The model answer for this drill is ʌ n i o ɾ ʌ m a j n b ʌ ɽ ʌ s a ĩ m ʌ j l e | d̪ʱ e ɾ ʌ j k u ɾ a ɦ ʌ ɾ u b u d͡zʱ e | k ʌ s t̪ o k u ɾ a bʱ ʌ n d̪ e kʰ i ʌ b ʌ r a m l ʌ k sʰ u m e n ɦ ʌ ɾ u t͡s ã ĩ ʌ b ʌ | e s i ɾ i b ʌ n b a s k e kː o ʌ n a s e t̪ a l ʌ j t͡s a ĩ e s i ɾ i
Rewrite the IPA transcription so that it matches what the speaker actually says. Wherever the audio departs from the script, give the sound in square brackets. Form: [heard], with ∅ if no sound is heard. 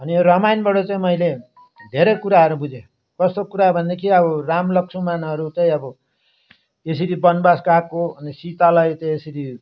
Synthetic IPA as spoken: ʌ n i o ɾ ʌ m a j n b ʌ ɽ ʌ [t͡s] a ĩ m ʌ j l e | d̪ʱ e ɾ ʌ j k u ɾ a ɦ ʌ ɾ u b u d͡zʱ e | k ʌ s t̪ o k u ɾ a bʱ ʌ n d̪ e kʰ i ʌ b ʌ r a m l ʌ k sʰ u m [a] n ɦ ʌ ɾ u t͡s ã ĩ ʌ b ʌ | e s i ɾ i b ʌ n b a s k [a] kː o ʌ n [i] s [i] t̪ a l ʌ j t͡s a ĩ e s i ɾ i